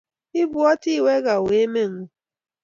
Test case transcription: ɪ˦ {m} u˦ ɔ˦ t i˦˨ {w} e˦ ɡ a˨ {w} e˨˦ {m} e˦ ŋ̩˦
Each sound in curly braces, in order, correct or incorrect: incorrect: b, correct, correct, correct

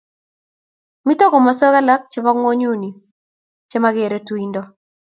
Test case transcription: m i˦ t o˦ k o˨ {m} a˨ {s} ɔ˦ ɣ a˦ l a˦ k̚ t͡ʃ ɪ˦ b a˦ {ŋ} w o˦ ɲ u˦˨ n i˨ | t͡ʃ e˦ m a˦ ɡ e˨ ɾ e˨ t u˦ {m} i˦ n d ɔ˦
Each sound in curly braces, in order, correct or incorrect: correct, correct, correct, incorrect: none

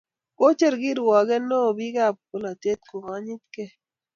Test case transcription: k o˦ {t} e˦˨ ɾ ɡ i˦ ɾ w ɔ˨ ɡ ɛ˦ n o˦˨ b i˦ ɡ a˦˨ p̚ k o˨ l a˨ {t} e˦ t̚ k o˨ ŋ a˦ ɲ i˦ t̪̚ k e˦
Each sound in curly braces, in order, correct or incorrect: incorrect: t͡ʃ, correct

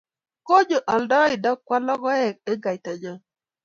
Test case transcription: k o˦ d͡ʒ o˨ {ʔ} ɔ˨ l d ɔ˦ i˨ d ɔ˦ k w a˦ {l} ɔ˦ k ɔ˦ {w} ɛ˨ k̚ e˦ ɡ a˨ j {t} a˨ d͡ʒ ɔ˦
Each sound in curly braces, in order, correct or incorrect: correct, correct, incorrect: none, correct

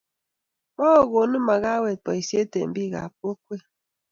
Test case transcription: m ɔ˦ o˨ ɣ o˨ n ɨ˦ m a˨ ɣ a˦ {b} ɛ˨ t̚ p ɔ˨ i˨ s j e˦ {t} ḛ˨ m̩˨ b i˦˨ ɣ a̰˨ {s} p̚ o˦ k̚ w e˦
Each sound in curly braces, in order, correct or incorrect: incorrect: w, correct, incorrect: none

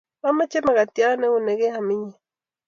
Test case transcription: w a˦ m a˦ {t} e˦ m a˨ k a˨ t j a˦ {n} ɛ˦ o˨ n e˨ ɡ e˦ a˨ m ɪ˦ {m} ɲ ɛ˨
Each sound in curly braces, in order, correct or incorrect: incorrect: t͡ʃ, correct, incorrect: none

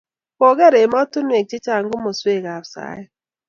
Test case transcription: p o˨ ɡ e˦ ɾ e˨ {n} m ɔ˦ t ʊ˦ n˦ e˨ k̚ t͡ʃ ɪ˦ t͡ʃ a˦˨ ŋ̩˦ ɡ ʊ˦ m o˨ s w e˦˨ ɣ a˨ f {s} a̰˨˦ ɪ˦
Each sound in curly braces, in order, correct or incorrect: incorrect: none, correct

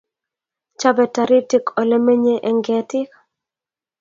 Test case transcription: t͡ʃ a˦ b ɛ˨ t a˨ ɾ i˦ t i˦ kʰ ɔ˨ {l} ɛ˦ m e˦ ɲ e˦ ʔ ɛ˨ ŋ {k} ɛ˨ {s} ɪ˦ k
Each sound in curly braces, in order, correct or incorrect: correct, incorrect: ɡ, incorrect: t

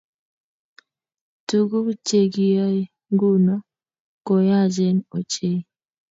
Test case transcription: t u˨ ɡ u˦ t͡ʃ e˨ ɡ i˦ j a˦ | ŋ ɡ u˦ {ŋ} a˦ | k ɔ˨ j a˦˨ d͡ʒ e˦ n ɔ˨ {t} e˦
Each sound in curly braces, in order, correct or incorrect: incorrect: n, incorrect: t͡ʃ

